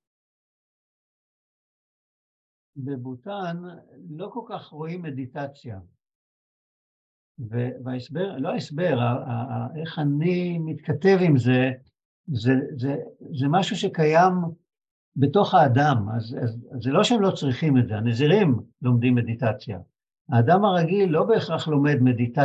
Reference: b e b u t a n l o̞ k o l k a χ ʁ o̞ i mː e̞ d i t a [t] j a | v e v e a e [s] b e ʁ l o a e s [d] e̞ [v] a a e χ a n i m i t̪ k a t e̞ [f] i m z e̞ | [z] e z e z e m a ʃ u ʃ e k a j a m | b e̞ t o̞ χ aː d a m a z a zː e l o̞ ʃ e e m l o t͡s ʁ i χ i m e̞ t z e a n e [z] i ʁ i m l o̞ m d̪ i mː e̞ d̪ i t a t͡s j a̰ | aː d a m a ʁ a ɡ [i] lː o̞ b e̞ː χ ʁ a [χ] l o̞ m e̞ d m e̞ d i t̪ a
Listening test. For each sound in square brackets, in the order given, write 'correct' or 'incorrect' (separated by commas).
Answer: incorrect, correct, incorrect, incorrect, incorrect, correct, correct, correct, correct